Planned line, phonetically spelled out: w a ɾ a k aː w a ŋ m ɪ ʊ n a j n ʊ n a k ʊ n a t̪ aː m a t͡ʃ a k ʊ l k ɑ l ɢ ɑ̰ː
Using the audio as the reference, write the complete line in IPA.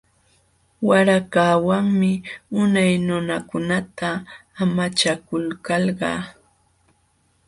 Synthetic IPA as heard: w a ɾ a k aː w a ŋ m ɪ ʊ n a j n ʊ n a k ʊ n a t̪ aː m a t͡ʃ a k ʊ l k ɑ l ɢ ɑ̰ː